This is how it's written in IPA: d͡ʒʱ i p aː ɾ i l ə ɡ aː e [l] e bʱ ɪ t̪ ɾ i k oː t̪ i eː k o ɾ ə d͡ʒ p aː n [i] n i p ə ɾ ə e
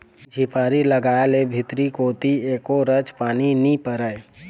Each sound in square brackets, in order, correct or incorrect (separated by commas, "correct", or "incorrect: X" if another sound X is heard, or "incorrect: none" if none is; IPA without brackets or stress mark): correct, correct